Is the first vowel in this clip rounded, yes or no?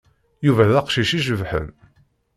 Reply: yes